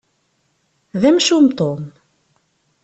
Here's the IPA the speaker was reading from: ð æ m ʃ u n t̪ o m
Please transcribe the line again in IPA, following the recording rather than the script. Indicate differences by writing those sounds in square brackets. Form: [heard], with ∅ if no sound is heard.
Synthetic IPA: ð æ m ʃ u [m] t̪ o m